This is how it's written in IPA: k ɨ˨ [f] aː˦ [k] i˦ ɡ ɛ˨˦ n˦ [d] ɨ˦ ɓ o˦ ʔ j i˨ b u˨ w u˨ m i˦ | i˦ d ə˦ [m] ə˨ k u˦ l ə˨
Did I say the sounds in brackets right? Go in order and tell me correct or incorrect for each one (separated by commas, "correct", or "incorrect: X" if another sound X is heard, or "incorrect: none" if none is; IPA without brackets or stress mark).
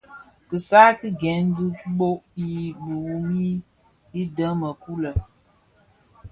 incorrect: s, correct, correct, correct